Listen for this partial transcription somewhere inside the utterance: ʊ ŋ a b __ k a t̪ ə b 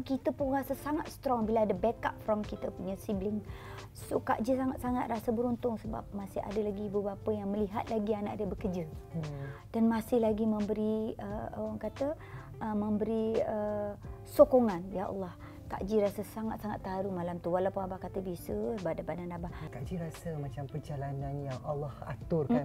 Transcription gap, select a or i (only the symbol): a